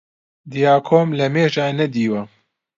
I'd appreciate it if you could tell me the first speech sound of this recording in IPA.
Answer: d̪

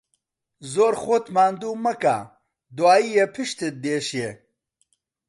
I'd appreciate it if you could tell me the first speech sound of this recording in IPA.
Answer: z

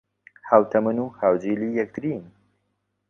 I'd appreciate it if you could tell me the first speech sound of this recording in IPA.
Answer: h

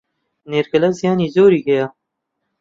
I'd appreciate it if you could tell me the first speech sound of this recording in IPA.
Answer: n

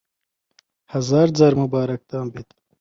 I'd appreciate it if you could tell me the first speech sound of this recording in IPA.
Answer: h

